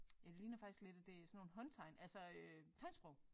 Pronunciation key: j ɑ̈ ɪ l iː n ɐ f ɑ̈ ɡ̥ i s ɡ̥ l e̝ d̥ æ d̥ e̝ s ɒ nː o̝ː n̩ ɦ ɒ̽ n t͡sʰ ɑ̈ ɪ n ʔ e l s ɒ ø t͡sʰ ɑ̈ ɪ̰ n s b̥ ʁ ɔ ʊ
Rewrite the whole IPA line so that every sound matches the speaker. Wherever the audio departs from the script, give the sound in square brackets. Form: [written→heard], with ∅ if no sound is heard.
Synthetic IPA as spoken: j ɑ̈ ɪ l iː n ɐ f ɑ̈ ɡ̥ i s ɡ̥ l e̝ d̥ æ d̥ e̝ s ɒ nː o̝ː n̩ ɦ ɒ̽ n t͡sʰ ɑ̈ ɪ n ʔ [e→æ] l s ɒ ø t͡sʰ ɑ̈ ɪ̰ n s b̥ ʁ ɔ ʊ